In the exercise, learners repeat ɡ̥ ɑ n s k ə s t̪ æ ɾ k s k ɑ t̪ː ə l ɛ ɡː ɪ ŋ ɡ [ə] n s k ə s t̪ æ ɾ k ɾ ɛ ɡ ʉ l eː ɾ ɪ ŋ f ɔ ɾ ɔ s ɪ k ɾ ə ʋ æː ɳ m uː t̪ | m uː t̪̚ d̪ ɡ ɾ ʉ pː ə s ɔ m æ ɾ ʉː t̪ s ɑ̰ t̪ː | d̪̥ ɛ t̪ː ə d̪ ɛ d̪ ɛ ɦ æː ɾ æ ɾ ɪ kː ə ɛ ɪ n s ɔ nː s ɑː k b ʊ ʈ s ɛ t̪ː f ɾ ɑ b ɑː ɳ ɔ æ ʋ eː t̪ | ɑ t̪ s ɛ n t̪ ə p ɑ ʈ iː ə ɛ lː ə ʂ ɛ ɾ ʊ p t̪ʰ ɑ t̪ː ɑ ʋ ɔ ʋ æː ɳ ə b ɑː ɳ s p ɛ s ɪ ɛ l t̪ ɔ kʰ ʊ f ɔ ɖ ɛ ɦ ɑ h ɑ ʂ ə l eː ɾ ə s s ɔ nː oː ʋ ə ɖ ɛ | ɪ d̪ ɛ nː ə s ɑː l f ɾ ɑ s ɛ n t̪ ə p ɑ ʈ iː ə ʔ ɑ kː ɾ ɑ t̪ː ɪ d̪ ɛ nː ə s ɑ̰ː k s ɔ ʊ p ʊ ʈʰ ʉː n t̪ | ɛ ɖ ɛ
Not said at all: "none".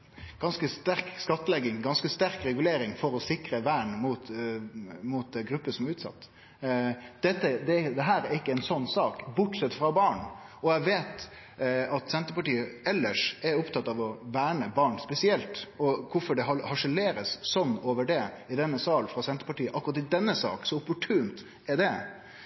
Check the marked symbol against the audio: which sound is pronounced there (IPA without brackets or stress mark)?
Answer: ɑ